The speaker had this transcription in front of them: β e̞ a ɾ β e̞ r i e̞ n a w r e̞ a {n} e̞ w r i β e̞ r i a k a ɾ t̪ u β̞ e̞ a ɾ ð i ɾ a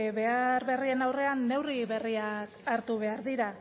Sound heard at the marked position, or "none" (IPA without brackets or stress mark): nː